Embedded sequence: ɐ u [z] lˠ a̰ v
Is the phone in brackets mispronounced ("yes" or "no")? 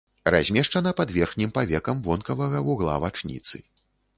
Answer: yes